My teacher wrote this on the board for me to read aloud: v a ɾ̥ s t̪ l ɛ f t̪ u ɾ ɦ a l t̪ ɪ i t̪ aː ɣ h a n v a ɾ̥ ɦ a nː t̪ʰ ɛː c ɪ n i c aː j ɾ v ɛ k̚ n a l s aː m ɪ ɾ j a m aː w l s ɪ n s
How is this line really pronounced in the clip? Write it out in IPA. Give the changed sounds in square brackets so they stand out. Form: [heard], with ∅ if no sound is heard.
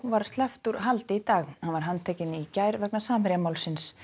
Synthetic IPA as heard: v a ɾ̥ s t̪ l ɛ f t̪ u ɾ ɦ a l t̪ ɪ i t̪ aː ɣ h a n v a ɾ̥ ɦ a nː t̪ʰ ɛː c ɪ n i c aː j ɾ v ɛ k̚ n a [∅] s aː m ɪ ɾ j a m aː w l s ɪ n s

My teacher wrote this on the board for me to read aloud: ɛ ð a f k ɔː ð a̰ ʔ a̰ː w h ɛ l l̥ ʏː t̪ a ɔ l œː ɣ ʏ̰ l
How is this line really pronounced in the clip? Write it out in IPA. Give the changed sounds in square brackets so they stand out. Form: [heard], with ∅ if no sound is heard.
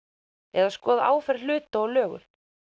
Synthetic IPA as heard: ɛ ð a [s] k ɔː ð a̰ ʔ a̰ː w [f] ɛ [ɾ] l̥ ʏː t̪ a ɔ l œː ɣ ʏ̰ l

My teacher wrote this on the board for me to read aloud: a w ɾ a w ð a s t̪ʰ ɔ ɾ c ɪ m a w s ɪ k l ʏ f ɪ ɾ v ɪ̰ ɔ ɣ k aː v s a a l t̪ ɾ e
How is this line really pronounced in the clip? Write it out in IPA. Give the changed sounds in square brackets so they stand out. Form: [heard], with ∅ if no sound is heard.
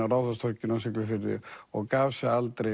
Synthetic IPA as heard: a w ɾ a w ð a s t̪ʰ ɔ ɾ c ɪ [n] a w s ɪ k l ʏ f ɪ ɾ [ð] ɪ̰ ɔ ɣ k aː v s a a l t̪ ɾ e

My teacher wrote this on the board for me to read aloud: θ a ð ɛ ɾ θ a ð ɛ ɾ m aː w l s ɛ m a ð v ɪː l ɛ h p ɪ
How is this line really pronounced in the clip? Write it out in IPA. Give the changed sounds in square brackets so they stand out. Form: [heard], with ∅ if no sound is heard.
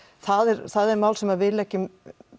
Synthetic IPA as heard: θ a ð ɛ ɾ θ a ð ɛ ɾ m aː w l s ɛ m a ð v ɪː l ɛ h [c] ɪ

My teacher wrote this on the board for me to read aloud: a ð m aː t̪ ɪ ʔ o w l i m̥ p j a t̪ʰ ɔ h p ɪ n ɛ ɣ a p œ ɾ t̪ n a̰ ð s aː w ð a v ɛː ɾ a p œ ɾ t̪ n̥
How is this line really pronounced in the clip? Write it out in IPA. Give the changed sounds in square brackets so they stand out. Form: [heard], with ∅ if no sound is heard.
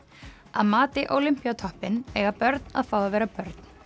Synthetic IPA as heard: a ð m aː t̪ ɪ ʔ o w l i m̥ p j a t̪ʰ ɔ h p ɪ n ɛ ɣ a p œ ɾ t̪ n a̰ ð [f] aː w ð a v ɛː ɾ a p œ ɾ t̪ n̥

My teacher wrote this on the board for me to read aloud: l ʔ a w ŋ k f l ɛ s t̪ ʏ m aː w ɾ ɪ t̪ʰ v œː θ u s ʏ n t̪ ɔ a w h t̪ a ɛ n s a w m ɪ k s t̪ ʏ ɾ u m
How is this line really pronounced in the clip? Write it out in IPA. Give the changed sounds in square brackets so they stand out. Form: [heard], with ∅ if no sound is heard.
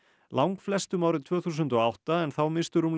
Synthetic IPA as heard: l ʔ a w ŋ k f l ɛ s t̪ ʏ m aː w ɾ ɪ t̪ʰ v œː θ u s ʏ n t̪ ɔ a w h t̪ a ɛ n [θ] a w m ɪ [∅] s t̪ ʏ ɾ u m

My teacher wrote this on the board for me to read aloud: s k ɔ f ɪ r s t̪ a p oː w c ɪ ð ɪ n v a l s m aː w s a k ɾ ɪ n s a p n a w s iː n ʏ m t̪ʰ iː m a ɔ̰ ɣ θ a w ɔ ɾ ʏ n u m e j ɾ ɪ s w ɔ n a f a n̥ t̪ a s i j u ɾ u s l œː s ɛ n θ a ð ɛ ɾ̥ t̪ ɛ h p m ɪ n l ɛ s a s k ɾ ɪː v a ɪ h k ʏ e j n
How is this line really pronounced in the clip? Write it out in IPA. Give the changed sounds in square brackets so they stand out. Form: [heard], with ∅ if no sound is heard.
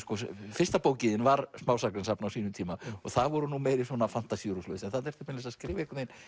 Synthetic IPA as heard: s k ɔ f ɪ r s t̪ a p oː w c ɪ ð ɪ n v a [ɾ] s m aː w s a k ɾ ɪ n s a p n a w s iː n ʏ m t̪ʰ iː m a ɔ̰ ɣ θ a [v] ɔ ɾ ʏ n u m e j ɾ ɪ s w ɔ n a f a n̥ t̪ a s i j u ɾ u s l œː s ɛ n θ a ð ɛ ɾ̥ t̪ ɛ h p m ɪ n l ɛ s a s k ɾ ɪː v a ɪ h k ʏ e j n

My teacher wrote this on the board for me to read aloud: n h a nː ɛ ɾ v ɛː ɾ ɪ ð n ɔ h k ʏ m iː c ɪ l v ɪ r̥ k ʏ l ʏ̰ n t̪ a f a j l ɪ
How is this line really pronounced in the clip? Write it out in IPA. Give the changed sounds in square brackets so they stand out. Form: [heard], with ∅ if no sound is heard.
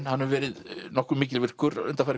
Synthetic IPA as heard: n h a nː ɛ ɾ v ɛː ɾ ɪ ð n ɔ h k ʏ m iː c ɪ l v ɪ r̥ k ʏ [ɾ] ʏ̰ n t̪ a f a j [ɾ] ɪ

